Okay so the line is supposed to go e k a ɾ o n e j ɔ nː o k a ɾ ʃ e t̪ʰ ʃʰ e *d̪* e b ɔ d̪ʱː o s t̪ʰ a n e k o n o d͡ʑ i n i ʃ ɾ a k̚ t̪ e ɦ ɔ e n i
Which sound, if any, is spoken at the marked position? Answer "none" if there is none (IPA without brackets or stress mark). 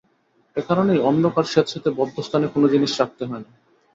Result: t̪